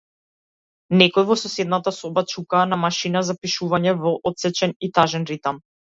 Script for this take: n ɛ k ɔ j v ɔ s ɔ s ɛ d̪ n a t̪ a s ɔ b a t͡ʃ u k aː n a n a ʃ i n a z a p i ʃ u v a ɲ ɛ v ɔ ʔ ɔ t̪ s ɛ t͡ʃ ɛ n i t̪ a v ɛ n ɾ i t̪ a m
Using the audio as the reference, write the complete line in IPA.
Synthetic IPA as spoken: n ɛ k ɔ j v ɔ s ɔ s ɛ d̪ n a t̪ a s ɔ b a t͡ʃ u k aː n a m a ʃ i n a z a p i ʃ u v a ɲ ɛ v ɔ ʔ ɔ t̪ s ɛ t͡ʃ ɛ n i t̪ a ʒ ɛ n ɾ i t̪ a m

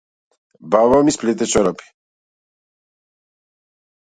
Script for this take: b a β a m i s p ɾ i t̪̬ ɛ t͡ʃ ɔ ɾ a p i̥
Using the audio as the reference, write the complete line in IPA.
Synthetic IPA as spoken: b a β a m i s p l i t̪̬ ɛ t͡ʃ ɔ ɾ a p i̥

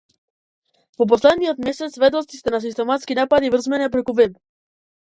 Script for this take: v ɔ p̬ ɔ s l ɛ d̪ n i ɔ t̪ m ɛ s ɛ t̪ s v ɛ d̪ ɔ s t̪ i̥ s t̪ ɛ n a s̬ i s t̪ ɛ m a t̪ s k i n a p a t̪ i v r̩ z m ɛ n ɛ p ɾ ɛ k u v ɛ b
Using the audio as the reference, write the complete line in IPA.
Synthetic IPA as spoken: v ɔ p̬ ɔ s l ɛ d̪ n i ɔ t̪ m ɛ s ɛ t̪ s v ɛ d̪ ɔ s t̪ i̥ s t̪ ɛ n a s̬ i s t̪ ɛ m a t̪ s k i n a p a d̪ i v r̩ z m ɛ n ɛ p ɾ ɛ k u v ɛ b

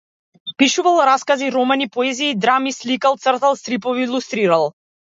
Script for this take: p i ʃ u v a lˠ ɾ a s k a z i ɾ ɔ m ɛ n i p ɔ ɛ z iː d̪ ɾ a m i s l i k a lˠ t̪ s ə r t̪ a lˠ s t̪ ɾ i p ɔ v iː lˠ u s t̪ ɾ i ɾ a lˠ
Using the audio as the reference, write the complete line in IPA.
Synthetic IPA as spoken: p i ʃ u v a lˠ ɾ a s k a z i ɾ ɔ m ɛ n i p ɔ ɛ z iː d̪ ɾ a m i s l i k a lˠ t̪ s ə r t̪ a lˠ s t̪ ɾ i p ɔ v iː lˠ u s t̪ ɾ i ɾ a lˠ

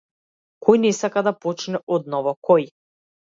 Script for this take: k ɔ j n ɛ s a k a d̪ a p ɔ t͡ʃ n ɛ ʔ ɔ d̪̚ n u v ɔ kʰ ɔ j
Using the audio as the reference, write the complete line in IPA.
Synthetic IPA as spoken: k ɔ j n ɛ s a k a d̪ a p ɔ t͡ʃ n ɛ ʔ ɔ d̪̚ n ɔ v ɔ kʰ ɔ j

